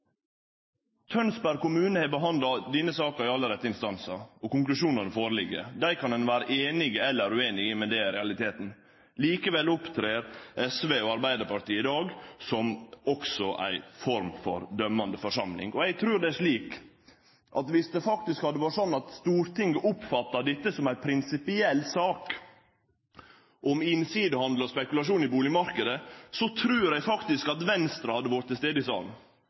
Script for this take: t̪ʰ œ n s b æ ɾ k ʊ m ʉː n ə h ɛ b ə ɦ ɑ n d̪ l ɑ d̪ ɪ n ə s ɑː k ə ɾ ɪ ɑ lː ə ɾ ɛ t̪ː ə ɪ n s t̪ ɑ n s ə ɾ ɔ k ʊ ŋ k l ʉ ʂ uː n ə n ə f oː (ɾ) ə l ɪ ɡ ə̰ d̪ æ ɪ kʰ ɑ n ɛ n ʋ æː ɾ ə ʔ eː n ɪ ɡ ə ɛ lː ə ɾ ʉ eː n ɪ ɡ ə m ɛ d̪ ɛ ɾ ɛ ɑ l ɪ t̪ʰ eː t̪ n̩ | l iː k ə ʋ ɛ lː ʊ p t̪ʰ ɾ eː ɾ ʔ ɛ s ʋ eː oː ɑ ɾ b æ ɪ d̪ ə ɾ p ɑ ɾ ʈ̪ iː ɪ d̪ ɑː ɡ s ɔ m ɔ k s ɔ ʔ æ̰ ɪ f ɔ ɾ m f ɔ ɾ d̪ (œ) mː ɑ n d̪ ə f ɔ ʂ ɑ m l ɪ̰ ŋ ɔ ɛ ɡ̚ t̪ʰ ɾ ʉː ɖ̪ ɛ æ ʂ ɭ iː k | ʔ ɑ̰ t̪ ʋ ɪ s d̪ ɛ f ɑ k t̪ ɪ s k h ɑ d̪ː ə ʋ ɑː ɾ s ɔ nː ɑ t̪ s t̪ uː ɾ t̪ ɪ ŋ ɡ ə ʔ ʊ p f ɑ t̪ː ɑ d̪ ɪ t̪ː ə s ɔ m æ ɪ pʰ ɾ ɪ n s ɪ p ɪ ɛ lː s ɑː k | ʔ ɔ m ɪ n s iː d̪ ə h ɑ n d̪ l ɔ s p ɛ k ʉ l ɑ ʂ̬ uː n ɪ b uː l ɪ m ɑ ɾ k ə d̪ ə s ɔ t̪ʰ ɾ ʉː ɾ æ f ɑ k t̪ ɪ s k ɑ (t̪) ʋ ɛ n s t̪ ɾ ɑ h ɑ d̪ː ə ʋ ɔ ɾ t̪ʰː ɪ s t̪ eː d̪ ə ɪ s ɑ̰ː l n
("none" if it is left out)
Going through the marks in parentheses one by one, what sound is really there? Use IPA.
ɾ, œ, t̪

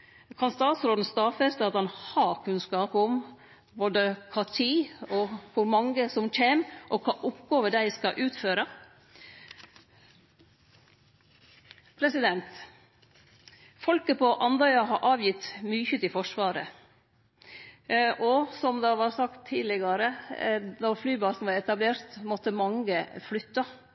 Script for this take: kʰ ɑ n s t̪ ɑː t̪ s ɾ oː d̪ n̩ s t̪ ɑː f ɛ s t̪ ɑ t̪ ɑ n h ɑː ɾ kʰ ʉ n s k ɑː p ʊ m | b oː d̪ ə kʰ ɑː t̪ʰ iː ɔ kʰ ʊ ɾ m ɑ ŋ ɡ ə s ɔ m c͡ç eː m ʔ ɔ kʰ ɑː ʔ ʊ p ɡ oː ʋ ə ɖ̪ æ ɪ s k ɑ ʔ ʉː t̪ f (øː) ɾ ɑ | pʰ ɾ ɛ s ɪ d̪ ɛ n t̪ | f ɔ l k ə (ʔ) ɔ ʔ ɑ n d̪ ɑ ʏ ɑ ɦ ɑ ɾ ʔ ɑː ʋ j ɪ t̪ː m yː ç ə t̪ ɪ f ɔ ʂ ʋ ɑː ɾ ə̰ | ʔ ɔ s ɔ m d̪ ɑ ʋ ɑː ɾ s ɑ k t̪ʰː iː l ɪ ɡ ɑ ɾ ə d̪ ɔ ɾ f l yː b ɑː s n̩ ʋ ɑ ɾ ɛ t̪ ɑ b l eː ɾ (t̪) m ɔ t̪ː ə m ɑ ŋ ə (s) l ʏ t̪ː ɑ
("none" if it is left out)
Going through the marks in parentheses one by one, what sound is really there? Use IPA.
øː, p, t̪, f

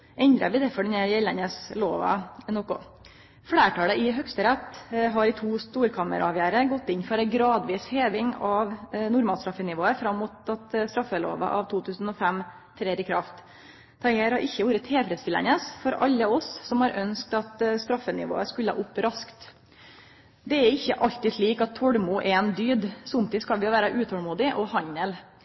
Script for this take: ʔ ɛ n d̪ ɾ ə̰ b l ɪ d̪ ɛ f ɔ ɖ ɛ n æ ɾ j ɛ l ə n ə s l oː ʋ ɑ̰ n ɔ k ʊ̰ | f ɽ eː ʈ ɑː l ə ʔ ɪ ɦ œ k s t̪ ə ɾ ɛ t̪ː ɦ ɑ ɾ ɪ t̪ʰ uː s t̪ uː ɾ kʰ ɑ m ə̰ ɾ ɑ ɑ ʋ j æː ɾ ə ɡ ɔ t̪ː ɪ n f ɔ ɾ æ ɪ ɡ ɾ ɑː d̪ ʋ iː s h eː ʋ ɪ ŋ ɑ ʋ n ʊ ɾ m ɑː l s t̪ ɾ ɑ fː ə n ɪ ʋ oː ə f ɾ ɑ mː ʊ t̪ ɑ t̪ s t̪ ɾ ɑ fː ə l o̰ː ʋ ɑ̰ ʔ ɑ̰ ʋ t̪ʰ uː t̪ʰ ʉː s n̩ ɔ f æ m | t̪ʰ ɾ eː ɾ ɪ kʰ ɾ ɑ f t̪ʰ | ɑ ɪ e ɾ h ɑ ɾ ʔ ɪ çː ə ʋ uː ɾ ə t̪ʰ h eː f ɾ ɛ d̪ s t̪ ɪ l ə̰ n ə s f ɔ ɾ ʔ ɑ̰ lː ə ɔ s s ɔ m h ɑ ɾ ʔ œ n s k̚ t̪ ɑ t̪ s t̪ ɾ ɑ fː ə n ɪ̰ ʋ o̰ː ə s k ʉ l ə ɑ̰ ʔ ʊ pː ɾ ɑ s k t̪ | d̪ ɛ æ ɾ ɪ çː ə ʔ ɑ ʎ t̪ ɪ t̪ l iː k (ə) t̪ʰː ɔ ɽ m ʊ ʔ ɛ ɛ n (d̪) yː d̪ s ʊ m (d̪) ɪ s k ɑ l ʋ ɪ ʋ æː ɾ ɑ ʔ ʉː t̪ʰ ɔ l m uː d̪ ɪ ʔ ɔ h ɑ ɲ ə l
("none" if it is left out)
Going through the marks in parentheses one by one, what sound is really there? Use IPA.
ɑ, d̪, t̪

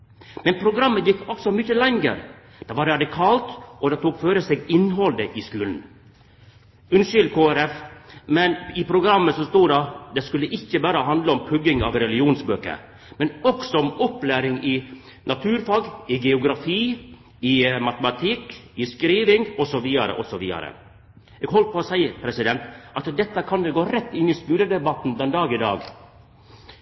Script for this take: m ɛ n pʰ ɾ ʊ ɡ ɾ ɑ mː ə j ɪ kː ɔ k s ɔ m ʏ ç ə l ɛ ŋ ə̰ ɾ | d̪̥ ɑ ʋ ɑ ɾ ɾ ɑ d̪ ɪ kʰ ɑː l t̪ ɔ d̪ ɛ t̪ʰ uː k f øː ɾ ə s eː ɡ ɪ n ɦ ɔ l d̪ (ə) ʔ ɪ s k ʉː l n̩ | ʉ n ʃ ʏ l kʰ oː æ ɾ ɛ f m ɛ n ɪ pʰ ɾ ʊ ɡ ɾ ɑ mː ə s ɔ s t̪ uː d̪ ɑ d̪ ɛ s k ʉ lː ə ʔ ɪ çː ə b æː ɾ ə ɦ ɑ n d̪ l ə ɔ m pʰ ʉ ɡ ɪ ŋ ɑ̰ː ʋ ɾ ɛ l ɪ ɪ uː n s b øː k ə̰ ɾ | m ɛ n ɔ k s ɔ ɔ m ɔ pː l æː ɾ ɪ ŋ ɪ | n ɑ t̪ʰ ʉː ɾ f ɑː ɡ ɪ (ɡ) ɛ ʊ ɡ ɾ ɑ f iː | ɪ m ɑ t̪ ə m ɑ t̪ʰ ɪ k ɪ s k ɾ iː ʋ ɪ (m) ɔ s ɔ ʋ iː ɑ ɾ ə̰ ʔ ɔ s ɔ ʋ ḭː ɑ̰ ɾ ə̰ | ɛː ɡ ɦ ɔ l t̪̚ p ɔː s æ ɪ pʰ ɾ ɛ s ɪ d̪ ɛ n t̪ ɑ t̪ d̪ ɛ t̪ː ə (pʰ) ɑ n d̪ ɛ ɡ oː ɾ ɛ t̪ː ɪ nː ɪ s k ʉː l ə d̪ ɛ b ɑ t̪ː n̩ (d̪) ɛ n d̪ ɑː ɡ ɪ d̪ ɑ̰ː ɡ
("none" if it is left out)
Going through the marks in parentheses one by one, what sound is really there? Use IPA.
ə, ɡ, ŋ, kʰ, d̪

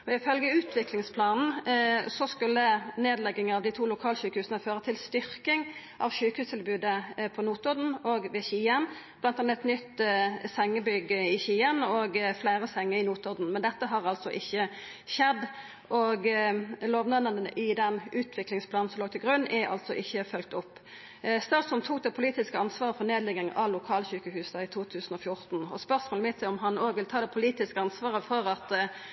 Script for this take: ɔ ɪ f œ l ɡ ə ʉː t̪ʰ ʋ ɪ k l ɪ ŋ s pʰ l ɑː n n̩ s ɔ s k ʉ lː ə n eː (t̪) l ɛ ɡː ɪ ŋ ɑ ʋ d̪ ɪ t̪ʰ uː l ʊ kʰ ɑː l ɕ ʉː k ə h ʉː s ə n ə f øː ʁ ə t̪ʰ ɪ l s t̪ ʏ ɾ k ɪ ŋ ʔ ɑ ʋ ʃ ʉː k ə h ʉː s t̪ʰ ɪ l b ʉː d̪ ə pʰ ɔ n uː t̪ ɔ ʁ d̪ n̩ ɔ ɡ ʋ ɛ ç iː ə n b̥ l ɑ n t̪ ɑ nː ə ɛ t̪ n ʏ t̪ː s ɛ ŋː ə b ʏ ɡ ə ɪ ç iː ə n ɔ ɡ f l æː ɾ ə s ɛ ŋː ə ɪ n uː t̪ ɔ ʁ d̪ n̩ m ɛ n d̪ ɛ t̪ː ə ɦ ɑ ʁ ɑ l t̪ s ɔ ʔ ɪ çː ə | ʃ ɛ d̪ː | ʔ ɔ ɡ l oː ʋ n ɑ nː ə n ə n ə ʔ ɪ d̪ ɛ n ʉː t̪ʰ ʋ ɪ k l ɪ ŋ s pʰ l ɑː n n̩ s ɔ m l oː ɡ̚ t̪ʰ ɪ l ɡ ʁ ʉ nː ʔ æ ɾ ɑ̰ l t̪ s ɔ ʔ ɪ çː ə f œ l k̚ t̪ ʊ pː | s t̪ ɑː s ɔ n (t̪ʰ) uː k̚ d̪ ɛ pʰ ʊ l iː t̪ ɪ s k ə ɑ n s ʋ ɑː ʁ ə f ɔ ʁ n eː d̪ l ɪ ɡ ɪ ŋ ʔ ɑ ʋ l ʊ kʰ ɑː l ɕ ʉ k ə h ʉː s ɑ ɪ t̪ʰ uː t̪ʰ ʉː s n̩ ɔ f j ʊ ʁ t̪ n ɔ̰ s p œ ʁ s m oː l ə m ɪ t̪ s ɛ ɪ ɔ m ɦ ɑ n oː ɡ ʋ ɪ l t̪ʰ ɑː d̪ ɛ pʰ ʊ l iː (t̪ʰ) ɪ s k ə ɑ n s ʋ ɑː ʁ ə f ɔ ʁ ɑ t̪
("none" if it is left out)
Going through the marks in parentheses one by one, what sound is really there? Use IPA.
d̪, t̪ʰ, t̪

